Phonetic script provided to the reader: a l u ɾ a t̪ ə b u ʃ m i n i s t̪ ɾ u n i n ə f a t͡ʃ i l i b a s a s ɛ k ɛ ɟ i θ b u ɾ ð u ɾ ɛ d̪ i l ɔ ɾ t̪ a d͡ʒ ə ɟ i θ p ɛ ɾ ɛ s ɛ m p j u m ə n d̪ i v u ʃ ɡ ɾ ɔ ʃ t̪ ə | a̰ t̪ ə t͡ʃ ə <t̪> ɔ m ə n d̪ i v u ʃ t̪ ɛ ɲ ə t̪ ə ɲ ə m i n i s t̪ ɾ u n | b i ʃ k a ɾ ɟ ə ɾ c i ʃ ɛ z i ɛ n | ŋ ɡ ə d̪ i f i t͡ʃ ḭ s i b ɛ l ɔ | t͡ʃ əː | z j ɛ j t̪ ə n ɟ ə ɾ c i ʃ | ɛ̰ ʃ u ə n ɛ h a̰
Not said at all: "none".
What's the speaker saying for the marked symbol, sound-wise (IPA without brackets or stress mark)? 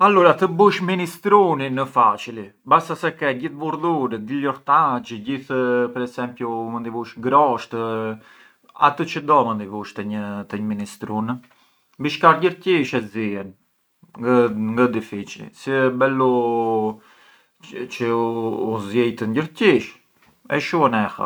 d̪